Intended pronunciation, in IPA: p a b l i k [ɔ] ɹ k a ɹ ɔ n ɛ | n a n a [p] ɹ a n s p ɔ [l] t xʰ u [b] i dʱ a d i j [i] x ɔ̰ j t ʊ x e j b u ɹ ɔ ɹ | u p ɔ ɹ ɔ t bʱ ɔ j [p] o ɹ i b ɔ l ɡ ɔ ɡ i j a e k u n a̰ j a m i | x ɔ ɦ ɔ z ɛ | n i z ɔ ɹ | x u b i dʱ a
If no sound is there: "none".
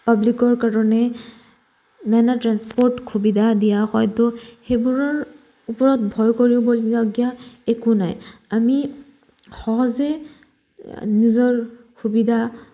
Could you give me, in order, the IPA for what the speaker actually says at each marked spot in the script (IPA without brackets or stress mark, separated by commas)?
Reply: ɔ, t, ɹ, b, a, k